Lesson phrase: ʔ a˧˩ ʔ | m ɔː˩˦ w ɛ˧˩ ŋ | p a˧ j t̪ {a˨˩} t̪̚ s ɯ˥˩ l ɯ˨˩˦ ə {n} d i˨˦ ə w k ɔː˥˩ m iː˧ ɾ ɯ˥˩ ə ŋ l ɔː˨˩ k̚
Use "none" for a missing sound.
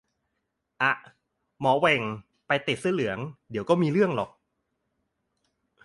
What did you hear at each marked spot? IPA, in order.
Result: i˨˩, ŋ

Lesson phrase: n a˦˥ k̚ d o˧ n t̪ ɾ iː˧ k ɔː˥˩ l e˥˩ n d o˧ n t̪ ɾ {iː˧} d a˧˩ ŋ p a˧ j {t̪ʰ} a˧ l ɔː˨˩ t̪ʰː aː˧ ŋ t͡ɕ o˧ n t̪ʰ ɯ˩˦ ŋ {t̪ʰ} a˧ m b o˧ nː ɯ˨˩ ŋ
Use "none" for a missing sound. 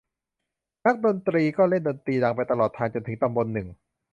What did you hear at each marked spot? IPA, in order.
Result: iː˧, t̪, t̪

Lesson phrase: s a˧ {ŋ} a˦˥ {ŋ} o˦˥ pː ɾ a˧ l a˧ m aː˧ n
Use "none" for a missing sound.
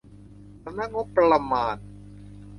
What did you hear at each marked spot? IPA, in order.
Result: n, ŋ

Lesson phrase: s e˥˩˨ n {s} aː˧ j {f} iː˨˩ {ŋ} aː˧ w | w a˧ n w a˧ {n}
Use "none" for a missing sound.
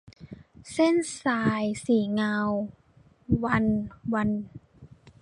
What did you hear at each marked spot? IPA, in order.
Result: s, s, ŋ, n

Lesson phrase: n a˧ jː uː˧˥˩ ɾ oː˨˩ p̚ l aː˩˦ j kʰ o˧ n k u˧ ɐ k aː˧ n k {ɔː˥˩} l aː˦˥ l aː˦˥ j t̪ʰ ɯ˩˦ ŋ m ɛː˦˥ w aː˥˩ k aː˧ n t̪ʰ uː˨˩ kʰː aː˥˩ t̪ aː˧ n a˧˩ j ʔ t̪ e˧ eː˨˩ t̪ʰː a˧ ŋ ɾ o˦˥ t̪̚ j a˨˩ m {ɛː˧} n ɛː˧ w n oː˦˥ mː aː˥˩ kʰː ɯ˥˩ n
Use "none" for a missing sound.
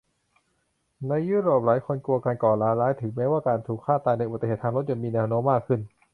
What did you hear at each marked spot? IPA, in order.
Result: ɔː˨˩, iː˧

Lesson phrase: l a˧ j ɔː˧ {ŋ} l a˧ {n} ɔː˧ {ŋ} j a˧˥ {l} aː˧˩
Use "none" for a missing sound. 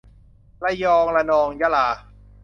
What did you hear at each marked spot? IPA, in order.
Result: ŋ, n, ŋ, l

